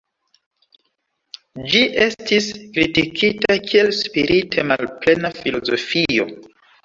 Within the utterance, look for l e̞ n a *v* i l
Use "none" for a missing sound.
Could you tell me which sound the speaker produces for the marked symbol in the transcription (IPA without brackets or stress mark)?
f